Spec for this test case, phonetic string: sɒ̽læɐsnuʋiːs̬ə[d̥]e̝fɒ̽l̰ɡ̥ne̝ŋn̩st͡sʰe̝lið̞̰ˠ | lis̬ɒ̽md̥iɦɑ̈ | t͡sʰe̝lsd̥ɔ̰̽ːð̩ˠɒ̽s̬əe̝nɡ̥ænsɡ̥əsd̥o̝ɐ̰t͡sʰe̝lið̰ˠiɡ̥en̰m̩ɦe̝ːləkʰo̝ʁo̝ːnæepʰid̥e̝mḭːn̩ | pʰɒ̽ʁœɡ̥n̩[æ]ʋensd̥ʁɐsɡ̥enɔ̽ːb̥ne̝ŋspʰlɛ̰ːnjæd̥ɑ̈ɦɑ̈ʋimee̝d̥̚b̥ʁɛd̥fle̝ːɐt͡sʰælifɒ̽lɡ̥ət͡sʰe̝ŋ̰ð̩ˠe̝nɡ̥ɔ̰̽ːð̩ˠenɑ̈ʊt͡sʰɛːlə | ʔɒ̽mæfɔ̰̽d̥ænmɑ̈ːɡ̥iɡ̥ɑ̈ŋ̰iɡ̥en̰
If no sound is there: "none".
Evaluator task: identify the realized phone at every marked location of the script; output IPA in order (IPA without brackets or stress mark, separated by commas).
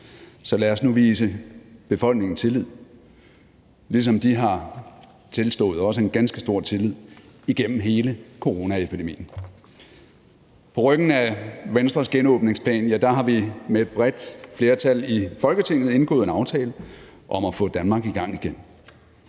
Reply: b̥, æ